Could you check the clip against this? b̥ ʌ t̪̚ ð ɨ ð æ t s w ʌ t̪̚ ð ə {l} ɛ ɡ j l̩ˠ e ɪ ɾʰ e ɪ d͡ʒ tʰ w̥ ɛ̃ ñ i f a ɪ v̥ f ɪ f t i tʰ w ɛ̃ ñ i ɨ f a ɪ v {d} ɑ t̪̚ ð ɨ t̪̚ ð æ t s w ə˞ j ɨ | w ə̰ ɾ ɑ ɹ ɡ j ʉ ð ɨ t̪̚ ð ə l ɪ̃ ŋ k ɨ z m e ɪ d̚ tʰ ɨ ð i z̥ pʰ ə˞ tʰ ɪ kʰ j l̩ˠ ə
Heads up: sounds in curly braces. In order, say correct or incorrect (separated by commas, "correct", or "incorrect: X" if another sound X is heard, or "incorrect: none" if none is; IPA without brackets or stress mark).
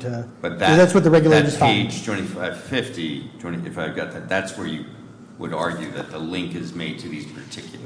incorrect: ɹ, incorrect: ɡ